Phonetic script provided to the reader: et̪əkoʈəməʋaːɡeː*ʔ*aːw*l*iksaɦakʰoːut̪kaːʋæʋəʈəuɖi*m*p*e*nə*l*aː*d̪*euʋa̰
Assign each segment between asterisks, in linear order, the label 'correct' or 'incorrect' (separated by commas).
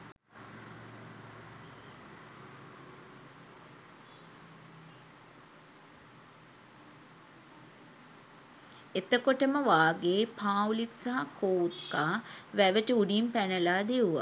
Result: incorrect, correct, correct, incorrect, correct, correct